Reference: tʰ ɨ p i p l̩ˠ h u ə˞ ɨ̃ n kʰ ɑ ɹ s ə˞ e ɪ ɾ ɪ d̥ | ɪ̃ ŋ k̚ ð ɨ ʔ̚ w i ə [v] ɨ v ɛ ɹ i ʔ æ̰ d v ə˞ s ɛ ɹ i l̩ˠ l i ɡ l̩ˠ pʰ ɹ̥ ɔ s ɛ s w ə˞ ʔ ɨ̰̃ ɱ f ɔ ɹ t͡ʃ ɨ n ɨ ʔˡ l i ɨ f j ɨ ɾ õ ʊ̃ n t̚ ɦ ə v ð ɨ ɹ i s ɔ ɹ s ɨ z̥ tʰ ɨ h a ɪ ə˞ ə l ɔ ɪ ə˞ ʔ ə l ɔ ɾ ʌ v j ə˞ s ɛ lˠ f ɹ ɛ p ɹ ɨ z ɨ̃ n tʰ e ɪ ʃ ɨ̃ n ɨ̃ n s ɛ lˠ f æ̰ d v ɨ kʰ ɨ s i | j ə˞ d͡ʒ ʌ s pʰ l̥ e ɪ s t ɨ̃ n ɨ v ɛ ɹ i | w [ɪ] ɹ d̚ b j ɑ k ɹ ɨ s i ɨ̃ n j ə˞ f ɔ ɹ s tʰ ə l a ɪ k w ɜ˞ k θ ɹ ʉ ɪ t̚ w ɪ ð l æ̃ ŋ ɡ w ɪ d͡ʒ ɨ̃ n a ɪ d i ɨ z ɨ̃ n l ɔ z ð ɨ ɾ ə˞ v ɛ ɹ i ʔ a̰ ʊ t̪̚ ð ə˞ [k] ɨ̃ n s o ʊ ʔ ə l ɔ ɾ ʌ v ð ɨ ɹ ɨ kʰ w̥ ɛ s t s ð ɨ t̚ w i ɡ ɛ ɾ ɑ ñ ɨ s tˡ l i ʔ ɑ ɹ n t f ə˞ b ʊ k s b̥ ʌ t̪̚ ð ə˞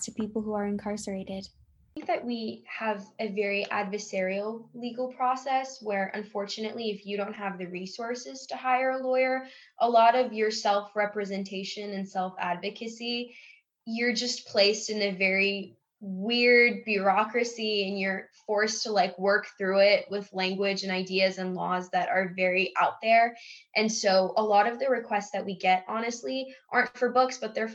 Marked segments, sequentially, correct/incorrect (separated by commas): correct, correct, incorrect